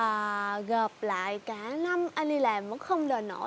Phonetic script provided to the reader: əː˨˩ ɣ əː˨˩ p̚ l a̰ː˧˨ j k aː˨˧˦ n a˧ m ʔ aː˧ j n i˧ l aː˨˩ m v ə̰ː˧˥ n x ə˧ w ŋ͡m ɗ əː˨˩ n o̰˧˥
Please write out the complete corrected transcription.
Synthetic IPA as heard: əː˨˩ ɣ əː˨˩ p̚ l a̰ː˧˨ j k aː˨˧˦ n a˧ m ʔ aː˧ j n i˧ l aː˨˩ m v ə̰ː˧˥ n x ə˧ w ŋ͡m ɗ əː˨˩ n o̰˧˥

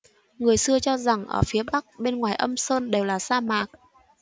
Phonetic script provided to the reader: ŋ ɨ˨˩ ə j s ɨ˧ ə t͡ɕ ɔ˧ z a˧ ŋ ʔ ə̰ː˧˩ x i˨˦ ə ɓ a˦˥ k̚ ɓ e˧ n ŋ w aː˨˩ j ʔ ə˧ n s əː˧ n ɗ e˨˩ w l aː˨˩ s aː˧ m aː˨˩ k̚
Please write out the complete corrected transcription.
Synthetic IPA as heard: ŋ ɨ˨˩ ə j s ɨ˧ ə t͡ɕ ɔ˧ z a˨˩ ŋ ʔ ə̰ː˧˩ f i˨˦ ə ɓ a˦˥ k̚ ɓ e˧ n ŋ w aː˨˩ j ʔ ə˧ m s əː˧ n ɗ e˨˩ w l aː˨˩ s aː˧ m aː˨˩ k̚

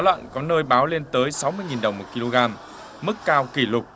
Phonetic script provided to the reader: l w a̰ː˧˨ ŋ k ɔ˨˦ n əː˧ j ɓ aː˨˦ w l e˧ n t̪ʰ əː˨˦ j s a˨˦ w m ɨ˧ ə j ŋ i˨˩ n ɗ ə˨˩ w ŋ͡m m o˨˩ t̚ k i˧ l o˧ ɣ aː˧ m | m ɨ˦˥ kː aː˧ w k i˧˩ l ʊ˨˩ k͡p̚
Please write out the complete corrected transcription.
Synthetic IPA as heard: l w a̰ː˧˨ n k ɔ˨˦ n əː˧ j ɓ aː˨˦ w l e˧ n t̪ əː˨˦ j s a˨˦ w m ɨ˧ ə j ŋ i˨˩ n ɗ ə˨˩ w ŋ͡m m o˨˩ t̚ k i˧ l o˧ ɣ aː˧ m | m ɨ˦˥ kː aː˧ w k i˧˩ l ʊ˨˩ k͡p̚

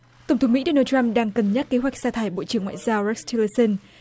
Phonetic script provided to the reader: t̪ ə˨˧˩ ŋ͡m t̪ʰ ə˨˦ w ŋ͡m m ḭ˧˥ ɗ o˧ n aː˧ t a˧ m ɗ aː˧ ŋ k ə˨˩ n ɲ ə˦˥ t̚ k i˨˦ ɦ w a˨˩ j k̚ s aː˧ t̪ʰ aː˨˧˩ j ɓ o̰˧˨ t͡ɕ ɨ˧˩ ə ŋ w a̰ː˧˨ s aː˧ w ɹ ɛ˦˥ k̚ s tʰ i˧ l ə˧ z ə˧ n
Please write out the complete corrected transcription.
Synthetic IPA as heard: t̪ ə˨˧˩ ŋ͡m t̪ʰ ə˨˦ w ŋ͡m m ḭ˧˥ ɗ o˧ n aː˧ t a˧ m ɗ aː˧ ŋ k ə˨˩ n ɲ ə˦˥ t̚ k e˨˦ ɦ w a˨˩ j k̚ s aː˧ t̪ʰ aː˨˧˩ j ɓ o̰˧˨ t͡ɕ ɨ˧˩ ə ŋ w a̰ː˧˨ z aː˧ w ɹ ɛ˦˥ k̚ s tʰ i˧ l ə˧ s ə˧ n

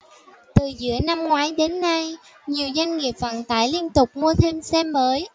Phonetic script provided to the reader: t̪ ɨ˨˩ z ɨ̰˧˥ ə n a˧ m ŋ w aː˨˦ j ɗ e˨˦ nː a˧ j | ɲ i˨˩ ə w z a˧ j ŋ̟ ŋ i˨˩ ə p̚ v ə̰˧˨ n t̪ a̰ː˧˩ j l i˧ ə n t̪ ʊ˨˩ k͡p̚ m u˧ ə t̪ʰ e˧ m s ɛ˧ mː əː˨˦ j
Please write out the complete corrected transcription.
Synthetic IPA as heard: t̪ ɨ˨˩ z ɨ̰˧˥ ə n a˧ m ŋ w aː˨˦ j ɗ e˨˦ nː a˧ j | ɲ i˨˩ ə w z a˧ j ŋ̟ ŋ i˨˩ ə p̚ v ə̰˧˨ n t̪ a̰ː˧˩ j l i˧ ə n t̪ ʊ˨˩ k͡p̚ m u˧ ə t̪ʰ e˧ m s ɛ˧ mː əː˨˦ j

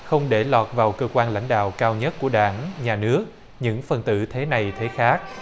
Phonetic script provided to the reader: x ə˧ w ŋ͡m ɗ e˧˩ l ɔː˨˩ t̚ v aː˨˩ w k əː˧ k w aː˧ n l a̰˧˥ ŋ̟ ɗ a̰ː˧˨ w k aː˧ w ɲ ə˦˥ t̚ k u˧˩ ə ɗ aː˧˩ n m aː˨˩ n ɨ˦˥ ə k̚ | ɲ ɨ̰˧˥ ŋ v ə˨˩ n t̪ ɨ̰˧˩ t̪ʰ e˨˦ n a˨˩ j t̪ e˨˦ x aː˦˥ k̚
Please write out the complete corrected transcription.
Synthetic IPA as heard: x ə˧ w ŋ͡m ɗ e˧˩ l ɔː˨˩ t̚ v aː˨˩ w k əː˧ k w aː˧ n l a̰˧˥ ŋ̟ ɗ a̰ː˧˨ w k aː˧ w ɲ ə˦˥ t̚ k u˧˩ ə ɗ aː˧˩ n ɲ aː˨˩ n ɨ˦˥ ə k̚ | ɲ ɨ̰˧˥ ŋ f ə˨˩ n t̪ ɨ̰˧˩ t̪ʰ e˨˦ n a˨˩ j t̪ʰ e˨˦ x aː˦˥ k̚

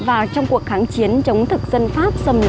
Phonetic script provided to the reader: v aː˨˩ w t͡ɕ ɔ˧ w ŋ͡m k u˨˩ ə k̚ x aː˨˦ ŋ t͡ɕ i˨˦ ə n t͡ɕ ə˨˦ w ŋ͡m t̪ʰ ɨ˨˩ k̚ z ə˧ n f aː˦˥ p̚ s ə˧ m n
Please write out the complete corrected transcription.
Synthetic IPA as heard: v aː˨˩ w t͡ɕ ɔ˧ w ŋ͡m k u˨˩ ə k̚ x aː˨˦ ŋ t͡ɕ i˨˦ ə n t͡ɕ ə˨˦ w ŋ͡m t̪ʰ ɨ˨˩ k̚ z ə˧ n f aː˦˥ p̚ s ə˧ m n

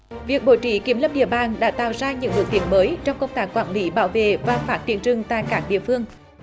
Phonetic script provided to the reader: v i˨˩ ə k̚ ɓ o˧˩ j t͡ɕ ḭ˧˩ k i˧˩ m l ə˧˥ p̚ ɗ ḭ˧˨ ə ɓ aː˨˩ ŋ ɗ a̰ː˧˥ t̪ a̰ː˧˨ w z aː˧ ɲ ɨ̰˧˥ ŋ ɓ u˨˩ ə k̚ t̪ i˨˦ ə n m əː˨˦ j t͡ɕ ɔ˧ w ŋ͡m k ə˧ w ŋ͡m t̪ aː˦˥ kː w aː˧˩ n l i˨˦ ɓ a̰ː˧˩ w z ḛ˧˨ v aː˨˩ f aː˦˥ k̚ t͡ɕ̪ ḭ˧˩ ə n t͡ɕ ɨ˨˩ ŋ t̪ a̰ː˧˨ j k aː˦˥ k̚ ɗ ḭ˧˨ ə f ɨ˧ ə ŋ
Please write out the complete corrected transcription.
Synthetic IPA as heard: v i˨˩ ə k̚ ɓ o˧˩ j t͡ɕ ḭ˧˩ k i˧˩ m l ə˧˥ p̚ ɗ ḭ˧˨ ə ɓ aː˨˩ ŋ ɗ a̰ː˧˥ t̪ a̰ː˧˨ w z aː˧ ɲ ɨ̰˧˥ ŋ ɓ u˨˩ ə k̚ t̪ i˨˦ ə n m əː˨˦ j t͡ɕ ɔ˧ w ŋ͡m k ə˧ w ŋ͡m t̪ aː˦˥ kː w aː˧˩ n l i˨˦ ɓ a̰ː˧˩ w v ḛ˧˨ v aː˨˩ f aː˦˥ t̚ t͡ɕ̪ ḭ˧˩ ə n t͡ɕ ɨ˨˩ ŋ t̪ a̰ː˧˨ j k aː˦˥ k̚ ɗ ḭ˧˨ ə f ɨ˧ ə ŋ

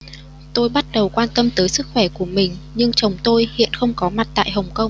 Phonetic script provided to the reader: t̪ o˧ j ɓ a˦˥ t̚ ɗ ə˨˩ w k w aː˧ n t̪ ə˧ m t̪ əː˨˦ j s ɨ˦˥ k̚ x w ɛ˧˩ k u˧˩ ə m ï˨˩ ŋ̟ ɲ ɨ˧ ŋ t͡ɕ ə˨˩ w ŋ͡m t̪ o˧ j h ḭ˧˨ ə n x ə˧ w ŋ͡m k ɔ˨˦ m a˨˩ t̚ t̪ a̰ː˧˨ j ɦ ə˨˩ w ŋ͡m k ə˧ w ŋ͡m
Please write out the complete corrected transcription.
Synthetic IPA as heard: t̪ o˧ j ɓ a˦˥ t̚ ɗ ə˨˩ w k w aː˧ n t̪ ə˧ m t̪ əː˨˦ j s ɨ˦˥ k̚ x w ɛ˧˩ k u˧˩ ə m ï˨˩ ŋ̟ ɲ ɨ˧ ŋ t͡ɕ ə˨˩ w ŋ͡m t̪ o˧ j h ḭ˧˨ ə n x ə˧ w ŋ͡m k ɔ˨˦ m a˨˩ t̚ t̪ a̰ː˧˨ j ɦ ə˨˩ w ŋ͡m k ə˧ w ŋ͡m

